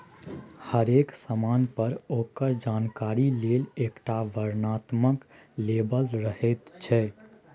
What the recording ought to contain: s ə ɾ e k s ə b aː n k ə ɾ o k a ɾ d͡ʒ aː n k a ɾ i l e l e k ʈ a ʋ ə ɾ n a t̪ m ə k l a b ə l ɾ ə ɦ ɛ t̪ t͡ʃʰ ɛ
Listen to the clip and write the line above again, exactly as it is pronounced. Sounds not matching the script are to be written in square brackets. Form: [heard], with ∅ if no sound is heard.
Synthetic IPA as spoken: [h] ə ɾ e k s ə [m] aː n [p] ə ɾ o k [ə] ɾ d͡ʒ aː n k a ɾ i l e l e k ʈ a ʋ ə ɾ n a t̪ m ə k l [e] b ə l ɾ ə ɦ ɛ t̪ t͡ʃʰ ɛ